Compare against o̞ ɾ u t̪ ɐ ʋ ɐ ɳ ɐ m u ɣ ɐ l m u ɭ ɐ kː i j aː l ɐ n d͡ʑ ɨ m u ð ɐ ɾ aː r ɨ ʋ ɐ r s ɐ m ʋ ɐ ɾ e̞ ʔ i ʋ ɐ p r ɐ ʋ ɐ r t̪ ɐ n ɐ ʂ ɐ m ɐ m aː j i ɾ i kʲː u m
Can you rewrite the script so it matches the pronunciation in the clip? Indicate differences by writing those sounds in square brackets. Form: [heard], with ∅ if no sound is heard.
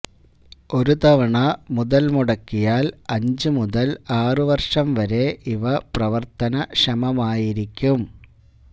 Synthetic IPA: o̞ ɾ u t̪ ɐ ʋ ɐ ɳ ɐ m u [ð] ɐ l m u [ɽ] ɐ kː i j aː l ɐ [ɲ] d͡ʑ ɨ m u ð ɐ [l] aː r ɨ ʋ ɐ r [ʂ] ɐ m ʋ ɐ ɾ e̞ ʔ i ʋ ɐ p r ɐ ʋ ɐ r t̪ ɐ n ɐ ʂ ɐ m ɐ m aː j i ɾ i kʲː u m